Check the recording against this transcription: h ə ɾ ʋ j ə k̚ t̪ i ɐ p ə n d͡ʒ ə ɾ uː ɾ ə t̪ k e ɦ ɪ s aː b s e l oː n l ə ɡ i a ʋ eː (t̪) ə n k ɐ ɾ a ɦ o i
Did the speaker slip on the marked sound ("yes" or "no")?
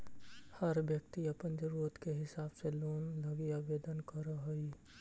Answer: yes